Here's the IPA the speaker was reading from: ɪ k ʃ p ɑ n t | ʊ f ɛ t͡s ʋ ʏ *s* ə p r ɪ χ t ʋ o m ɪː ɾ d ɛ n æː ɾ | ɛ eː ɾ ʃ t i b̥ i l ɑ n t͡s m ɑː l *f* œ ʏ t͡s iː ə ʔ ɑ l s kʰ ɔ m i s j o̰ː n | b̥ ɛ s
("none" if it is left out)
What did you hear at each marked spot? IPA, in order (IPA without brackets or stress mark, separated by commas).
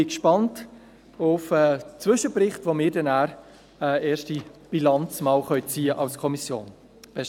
ʃ, χ